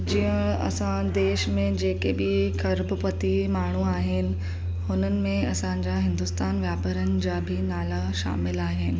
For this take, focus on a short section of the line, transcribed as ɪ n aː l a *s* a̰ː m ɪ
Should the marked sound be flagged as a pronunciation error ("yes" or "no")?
yes